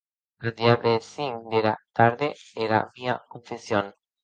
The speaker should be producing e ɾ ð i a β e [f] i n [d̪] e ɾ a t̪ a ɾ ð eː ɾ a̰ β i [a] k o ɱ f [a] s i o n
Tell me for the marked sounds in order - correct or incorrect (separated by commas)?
incorrect, correct, correct, incorrect